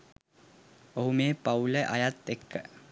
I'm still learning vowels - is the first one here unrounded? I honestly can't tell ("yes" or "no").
no